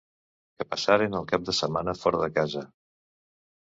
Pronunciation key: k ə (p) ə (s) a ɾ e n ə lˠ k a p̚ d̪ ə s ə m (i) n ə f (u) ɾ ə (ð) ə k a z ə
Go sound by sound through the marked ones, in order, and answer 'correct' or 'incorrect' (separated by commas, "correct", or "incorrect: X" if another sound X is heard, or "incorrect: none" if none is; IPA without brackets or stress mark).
correct, correct, incorrect: a, incorrect: ɔ, correct